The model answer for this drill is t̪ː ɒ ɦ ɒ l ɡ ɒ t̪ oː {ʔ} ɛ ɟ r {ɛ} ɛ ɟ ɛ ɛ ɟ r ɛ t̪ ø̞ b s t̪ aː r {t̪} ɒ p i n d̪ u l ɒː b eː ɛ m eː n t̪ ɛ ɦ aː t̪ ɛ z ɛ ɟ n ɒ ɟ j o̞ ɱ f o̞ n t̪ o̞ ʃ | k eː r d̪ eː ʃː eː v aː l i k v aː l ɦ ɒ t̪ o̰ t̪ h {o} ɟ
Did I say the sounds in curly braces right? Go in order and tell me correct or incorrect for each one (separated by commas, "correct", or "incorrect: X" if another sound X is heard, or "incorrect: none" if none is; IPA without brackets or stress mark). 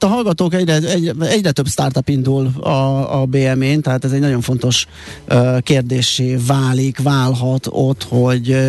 incorrect: k, correct, correct, correct